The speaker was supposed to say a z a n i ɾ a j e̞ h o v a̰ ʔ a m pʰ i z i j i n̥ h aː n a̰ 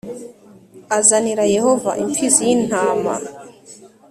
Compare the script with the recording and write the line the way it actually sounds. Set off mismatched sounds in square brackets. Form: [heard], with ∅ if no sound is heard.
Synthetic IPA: a z a n i ɾ a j e̞ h o v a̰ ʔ [i] m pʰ i z i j i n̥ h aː [m] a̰